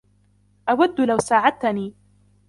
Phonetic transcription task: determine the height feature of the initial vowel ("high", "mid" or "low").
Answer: low